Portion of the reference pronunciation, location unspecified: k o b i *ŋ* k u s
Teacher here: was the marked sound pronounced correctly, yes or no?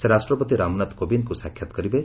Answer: no